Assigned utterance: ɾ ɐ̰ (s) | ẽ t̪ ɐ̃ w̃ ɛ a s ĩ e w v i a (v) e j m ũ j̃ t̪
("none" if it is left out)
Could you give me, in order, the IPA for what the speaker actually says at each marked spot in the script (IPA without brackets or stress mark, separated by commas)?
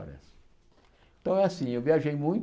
s, ʒ